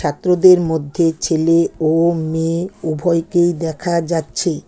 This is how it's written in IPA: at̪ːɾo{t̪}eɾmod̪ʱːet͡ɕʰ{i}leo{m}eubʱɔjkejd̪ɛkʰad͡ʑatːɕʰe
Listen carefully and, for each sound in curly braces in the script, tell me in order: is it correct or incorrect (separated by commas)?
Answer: incorrect, incorrect, correct